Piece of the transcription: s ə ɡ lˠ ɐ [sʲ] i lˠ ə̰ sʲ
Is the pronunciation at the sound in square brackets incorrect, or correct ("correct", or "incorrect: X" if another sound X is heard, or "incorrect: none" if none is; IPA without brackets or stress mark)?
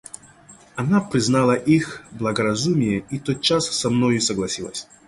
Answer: correct